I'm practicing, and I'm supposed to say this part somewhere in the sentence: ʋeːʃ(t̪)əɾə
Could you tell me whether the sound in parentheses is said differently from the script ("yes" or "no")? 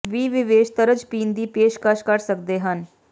no